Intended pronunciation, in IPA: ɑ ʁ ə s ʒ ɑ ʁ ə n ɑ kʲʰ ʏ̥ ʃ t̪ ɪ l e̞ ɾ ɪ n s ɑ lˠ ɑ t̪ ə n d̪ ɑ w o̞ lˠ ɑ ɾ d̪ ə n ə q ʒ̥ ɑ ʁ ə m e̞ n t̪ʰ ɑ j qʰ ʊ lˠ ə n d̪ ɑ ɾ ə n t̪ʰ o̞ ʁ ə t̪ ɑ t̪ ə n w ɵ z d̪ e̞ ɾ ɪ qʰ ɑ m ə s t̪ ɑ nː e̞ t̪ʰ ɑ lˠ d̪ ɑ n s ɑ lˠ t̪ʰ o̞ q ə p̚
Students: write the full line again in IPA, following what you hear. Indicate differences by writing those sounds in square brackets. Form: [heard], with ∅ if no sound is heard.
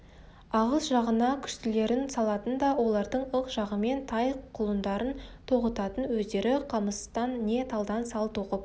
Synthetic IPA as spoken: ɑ ʁ ə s ʒ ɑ ʁ ə n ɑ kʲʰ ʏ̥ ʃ t̪ ɪ l e̞ ɾ ɪ n s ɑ lˠ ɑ t̪ ə n d̪ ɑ w o̞ lˠ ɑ ɾ d̪ ə [ɴ] ə q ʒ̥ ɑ ʁ ə m e̞ n t̪ʰ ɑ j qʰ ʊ lˠ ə n d̪ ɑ ɾ ə n t̪ʰ o̞ ʁ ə t̪ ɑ t̪ ə n w ɵ z d̪ e̞ ɾ ɪ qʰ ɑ m ə s t̪ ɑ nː e̞ t̪ʰ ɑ lˠ d̪ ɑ n s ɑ lˠ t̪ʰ o̞ q ə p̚